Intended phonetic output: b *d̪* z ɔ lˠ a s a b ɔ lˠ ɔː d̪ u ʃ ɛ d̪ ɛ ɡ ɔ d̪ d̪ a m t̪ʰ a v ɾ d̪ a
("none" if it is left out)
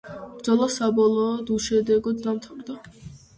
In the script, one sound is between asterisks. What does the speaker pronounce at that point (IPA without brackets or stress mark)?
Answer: d̪